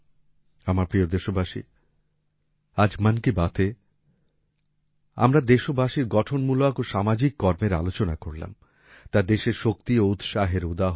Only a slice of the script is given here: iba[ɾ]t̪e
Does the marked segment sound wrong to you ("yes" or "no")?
yes